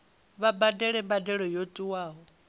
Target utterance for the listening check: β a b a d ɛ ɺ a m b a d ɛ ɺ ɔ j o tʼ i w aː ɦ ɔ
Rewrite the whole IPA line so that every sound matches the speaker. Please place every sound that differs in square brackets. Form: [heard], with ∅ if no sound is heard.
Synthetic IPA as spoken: β a b a d ɛ ɺ [ɛ] m b a d ɛ ɺ ɔ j o tʼ i w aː ɦ ɔ